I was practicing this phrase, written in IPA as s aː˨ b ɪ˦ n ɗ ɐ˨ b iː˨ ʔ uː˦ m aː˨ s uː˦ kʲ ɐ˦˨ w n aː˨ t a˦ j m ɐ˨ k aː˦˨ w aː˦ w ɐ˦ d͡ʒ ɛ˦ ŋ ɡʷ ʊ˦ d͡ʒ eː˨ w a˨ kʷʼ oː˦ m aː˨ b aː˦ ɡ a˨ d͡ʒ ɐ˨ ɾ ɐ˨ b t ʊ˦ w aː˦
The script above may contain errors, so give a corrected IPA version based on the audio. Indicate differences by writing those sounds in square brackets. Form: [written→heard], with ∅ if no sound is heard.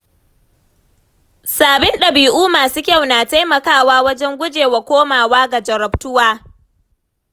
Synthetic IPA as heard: s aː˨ b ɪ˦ n ɗ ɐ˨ b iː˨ ʔ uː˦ m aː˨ s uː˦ kʲ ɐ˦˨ w n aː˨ t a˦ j m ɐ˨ k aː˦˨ w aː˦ w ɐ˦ d͡ʒ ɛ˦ ŋ ɡʷ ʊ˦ d͡ʒ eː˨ w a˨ [kʷʼ→kʷ] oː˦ m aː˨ [b→w] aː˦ ɡ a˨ d͡ʒ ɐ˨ ɾ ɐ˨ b t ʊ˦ w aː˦